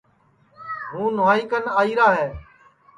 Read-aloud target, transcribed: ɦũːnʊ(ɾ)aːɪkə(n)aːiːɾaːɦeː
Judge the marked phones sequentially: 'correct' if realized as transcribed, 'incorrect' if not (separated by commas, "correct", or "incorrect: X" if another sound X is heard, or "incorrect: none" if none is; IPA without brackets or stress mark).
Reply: incorrect: none, correct